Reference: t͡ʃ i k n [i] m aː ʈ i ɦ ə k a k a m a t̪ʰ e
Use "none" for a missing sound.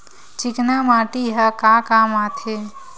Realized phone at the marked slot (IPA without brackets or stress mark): a